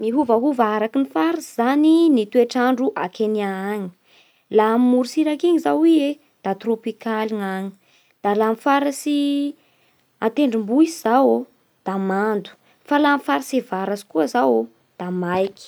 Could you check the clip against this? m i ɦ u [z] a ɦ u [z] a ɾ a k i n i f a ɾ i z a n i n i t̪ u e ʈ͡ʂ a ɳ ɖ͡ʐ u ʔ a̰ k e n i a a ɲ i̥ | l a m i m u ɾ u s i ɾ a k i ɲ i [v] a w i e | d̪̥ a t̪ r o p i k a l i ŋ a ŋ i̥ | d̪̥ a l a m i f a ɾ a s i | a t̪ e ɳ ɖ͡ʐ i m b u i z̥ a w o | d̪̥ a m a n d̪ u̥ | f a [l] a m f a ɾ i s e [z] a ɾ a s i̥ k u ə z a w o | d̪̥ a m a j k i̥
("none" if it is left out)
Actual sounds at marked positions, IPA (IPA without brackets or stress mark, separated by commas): v, v, z, l, v